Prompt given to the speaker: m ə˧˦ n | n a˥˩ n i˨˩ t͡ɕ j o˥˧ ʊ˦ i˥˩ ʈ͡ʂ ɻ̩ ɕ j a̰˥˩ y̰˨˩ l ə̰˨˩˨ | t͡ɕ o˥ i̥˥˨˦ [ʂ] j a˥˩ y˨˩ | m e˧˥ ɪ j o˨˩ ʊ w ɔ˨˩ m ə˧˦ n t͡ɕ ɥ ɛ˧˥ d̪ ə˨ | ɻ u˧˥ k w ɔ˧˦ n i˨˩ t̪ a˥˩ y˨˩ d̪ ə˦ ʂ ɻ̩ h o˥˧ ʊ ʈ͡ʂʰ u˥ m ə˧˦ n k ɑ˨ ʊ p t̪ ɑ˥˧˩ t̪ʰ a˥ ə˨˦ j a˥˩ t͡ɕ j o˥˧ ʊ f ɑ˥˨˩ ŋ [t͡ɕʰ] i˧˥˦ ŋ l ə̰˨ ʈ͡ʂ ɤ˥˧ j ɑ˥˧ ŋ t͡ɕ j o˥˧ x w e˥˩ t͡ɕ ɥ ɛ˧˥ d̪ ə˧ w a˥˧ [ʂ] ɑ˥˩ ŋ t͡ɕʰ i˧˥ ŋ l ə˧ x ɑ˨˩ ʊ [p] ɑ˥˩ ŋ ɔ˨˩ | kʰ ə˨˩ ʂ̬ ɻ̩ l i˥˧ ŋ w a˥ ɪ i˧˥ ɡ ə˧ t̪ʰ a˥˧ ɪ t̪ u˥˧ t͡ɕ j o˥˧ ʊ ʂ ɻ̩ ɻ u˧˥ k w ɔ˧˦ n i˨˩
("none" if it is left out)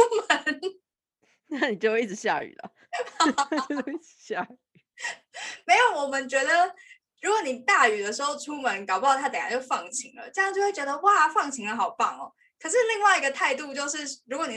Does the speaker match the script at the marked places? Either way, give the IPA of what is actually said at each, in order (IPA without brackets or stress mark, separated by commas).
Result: ɕ, t͡ɕʰ, f, p